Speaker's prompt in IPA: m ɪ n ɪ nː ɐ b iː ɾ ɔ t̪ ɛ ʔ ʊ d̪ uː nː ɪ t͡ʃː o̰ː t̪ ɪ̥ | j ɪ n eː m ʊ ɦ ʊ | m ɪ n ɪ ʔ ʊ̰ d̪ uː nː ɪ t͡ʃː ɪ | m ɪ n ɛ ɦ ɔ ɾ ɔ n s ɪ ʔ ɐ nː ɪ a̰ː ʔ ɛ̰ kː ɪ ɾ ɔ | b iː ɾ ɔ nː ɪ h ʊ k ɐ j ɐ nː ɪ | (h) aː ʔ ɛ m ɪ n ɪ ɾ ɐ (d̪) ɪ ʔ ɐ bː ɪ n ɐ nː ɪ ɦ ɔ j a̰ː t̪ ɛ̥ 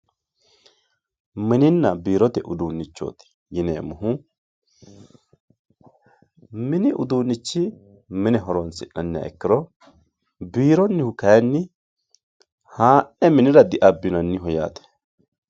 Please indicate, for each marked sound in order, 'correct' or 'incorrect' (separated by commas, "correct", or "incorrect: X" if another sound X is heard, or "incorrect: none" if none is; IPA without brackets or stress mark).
correct, correct